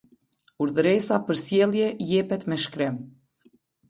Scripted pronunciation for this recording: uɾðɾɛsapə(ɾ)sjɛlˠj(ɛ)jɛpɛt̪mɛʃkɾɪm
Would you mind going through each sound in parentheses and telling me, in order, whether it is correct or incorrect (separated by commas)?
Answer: correct, correct